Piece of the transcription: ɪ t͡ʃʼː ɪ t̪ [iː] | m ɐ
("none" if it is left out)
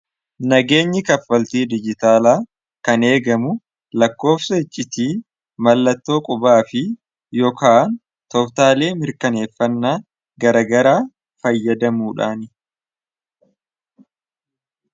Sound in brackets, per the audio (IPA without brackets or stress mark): iː